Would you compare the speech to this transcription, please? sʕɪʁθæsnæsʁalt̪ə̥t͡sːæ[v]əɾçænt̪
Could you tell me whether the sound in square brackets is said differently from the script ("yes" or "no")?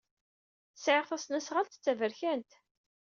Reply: no